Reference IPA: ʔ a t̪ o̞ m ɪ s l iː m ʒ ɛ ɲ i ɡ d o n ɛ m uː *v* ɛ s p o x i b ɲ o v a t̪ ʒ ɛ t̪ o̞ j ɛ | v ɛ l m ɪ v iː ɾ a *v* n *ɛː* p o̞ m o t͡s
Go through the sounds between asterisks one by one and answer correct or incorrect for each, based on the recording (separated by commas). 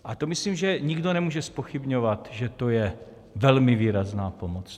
incorrect, incorrect, incorrect